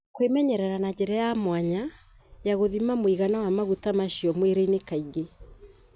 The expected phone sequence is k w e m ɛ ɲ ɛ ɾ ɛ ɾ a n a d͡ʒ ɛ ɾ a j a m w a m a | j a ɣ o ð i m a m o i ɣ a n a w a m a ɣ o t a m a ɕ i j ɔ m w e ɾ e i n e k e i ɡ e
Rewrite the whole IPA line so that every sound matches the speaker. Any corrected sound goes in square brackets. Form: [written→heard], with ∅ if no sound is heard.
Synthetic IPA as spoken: k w e m ɛ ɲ ɛ ɾ ɛ ɾ a n a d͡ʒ ɛ ɾ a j a m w a [m→ɲ] a | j a ɣ o ð i m a m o i ɣ a n a w a m a ɣ [o→u] t a m a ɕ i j ɔ m w e ɾ e i n e k [e→a] i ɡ e

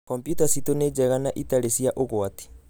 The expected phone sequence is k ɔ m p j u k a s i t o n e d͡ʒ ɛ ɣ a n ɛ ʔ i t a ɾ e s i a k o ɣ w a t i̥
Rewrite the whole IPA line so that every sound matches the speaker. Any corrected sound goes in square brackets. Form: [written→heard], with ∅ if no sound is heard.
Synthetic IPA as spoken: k ɔ m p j u [k→t] a s i t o n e d͡ʒ ɛ ɣ a n [ɛ→a] ʔ i t a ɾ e s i a [k→ʔ] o ɣ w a t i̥

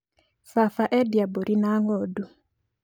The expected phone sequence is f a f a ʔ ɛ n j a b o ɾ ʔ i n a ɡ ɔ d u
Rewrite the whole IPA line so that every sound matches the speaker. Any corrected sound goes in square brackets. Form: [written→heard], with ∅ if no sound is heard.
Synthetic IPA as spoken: f a f a ʔ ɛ [n→d] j a b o ɾ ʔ i n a [ɡ→ŋ] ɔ d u

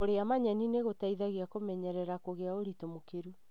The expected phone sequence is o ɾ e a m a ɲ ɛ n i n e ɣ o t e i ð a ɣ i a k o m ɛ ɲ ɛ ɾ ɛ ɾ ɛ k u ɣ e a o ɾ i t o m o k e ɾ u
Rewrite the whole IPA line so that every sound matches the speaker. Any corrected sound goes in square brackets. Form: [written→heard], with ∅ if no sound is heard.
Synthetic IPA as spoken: o ɾ e a m a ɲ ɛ n i n e ɣ o t [e→a] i ð a ɣ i a k o m ɛ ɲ ɛ ɾ ɛ ɾ [ɛ→a] k [u→o] ɣ e a o ɾ i t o m o k e ɾ u

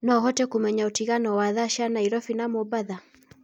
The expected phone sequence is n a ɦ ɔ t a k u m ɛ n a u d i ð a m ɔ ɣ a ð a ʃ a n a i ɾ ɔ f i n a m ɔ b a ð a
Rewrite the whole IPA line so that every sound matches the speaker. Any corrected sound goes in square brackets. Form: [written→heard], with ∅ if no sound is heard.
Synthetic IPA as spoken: n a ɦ ɔ t [a→ɛ] k u m ɛ [n→ɲ] a u [d→t] i [ð→ɣ] a [m→n] ɔ [ɣ→w] a ð a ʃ a n a i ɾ ɔ f i n a m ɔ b a ð a

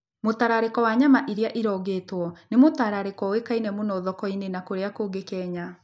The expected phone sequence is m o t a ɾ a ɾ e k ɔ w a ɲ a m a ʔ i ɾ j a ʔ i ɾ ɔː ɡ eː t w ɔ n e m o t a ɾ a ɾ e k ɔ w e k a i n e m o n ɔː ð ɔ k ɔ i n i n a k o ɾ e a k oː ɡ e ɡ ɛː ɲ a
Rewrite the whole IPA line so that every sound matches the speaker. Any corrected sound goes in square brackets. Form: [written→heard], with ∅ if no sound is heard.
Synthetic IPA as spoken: m o t a ɾ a ɾ e k ɔ w a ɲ a m a ʔ i ɾ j a ʔ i ɾ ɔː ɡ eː t w ɔ n e m o t a ɾ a ɾ e k ɔ w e k a i n [e→ɛ] m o n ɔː ð ɔ k ɔ i n [i→e] n a k o ɾ e a k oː ɡ e [ɡ→k] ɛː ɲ a

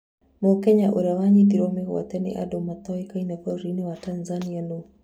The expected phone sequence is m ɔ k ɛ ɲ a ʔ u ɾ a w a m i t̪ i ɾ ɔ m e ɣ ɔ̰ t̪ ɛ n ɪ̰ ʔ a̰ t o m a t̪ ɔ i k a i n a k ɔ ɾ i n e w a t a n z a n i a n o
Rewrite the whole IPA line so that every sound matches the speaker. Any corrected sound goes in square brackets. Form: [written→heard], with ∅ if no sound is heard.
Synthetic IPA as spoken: m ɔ k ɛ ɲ a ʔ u ɾ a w a [m→ɲ] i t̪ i ɾ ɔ m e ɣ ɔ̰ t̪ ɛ n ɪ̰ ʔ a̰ [t→d] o m a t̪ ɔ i k a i n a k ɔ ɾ i n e w a t a n z a n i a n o

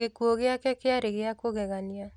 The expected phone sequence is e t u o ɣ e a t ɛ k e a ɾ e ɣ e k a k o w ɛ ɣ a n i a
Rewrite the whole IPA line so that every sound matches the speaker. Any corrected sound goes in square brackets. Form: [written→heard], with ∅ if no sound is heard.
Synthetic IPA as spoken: e [t→k] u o ɣ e a [t→k] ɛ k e a ɾ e ɣ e [k→∅] a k o [w→ɣ] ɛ ɣ a n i a

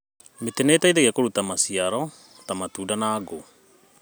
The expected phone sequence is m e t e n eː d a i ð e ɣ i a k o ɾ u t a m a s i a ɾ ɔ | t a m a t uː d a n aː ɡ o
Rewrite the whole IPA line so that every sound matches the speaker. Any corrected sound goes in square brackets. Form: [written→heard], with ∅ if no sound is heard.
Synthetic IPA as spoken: m e t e n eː [d→t] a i ð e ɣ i a k o ɾ u t a m a s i a ɾ ɔ | t a m a t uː d a n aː ɡ o

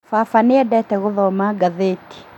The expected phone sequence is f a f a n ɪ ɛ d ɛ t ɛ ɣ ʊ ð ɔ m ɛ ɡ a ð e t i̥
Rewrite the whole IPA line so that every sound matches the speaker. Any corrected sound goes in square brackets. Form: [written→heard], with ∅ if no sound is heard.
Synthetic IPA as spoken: f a f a n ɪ ɛ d ɛ t ɛ ɣ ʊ ð ɔ m [ɛ→a] ɡ a ð e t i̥

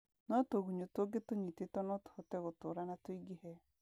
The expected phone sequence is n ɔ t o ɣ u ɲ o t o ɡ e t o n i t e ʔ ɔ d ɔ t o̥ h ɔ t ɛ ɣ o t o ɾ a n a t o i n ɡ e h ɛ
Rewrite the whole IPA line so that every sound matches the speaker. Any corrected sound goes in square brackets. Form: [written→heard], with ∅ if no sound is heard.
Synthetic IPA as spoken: n ɔ t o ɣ u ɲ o t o ɡ e t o [n→ɲ] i t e [ʔ→t] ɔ [d→n] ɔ t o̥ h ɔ t ɛ ɣ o t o ɾ a n a t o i [n→∅] ɡ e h ɛ

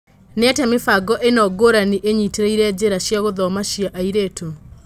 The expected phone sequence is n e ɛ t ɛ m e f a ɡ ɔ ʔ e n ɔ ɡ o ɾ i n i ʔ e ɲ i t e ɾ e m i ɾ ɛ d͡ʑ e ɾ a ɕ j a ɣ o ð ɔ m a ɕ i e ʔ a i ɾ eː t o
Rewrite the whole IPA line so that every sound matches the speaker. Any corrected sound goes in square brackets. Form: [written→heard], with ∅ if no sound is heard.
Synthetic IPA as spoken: n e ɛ t ɛ m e f a ɡ ɔ ʔ e n ɔ ɡ o ɾ [i→a] n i ʔ e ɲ i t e ɾ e [m→∅] i ɾ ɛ d͡ʑ e ɾ a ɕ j a ɣ o ð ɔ m a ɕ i [e→a] ʔ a i ɾ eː t o

